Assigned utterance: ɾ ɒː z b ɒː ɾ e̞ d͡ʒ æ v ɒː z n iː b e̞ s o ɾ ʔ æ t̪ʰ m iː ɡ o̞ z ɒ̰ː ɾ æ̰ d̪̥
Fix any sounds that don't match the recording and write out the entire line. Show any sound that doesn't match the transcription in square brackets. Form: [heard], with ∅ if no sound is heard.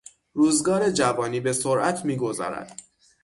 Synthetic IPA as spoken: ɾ [uː] z [ɡ] ɒː ɾ e̞ d͡ʒ æ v ɒː [∅] n iː b e̞ s o ɾ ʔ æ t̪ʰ m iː ɡ o̞ z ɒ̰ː ɾ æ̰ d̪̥